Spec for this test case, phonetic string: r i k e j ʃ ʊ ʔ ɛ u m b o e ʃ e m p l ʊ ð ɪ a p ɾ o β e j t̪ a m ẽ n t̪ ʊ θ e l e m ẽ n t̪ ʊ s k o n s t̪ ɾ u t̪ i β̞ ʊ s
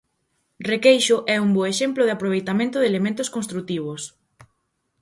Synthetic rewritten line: r e k e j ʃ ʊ ʔ ɛ u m b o e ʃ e m p l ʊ ð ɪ a p ɾ o β e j t̪ a m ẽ n t̪ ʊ ð e l e m ẽ n t̪ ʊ s k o n s t̪ ɾ u t̪ i β̞ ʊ s